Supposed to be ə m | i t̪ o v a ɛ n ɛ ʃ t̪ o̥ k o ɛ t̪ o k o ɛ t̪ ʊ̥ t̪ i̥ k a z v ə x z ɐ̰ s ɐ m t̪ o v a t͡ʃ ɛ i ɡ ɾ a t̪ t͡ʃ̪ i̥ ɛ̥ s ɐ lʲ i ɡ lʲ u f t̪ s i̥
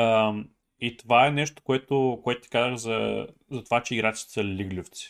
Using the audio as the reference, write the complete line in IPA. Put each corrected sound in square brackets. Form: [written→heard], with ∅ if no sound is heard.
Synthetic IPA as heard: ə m | i t̪ o v a ɛ n ɛ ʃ t̪ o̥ k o ɛ t̪ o k o ɛ t̪ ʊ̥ t̪ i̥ k a z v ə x z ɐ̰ [s→z] ɐ [m→∅] t̪ o v a t͡ʃ ɛ i ɡ ɾ a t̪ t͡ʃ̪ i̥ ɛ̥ s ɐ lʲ i ɡ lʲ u f t̪ s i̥